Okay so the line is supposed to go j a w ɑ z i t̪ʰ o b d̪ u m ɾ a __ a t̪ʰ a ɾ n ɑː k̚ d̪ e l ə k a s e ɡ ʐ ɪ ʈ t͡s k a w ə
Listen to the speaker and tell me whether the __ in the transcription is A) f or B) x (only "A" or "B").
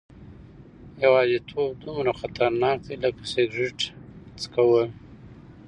B